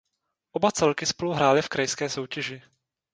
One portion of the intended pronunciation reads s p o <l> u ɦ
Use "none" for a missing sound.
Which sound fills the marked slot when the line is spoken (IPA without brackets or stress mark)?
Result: l